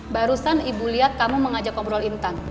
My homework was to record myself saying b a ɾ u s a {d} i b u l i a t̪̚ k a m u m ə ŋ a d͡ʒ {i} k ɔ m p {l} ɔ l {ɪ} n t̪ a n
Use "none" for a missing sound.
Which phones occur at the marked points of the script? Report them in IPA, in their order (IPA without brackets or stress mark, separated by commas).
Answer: n, a, ɾ, i